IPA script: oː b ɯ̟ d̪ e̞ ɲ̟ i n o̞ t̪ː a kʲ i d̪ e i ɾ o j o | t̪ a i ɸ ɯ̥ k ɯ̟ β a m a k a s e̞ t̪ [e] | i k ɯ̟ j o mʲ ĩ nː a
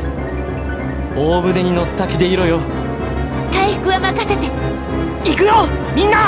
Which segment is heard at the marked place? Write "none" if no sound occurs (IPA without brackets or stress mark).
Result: e